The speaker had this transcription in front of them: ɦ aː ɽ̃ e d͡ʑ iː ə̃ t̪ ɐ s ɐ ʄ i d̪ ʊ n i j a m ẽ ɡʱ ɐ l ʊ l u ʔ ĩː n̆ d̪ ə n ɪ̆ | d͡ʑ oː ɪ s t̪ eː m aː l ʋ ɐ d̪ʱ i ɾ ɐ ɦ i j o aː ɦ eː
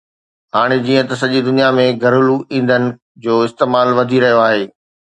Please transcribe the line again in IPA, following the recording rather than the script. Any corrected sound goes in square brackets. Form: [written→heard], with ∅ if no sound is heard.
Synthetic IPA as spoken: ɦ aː ɽ̃ e d͡ʑ iː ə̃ t̪ ɐ s ɐ ʄ i d̪ ʊ n i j a m ẽ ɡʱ ɐ [l→ɾ] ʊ l u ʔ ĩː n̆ d̪ ə n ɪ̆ | d͡ʑ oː ɪ s t̪ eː m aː l ʋ ɐ d̪ʱ i ɾ ɐ ɦ i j o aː ɦ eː